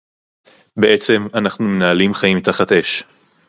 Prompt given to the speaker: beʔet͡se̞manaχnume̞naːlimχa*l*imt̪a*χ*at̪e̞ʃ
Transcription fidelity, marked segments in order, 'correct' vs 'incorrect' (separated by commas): incorrect, correct